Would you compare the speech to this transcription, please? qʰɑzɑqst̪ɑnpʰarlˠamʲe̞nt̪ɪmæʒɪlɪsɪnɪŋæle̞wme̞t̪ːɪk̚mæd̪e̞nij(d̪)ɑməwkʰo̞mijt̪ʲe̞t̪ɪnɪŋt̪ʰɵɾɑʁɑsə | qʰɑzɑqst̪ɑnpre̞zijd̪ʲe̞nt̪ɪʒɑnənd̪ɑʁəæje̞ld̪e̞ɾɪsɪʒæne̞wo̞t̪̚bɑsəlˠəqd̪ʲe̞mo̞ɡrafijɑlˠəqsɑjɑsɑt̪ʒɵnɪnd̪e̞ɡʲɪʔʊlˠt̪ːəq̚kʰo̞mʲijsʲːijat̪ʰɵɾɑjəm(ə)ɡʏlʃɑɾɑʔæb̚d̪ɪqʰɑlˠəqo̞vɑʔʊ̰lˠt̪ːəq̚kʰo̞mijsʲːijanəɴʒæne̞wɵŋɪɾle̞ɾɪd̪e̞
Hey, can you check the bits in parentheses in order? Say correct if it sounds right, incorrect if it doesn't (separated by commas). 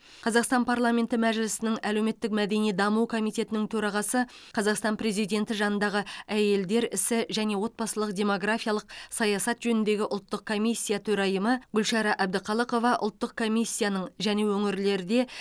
correct, correct